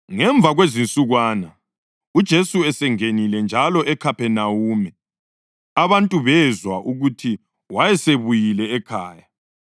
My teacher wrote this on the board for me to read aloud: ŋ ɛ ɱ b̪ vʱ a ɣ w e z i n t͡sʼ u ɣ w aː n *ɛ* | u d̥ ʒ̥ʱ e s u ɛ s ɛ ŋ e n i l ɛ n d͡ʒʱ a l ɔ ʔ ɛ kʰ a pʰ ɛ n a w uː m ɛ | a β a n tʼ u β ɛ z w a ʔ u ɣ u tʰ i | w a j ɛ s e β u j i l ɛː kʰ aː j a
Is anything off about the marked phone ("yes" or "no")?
yes